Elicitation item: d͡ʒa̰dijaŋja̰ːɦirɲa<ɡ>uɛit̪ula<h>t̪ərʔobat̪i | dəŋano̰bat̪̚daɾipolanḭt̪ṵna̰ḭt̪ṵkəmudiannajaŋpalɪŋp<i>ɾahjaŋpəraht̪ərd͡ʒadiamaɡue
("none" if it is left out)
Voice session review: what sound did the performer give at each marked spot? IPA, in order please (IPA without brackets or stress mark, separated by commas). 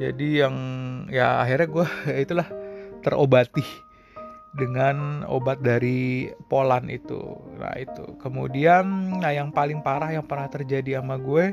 ɡ, h, a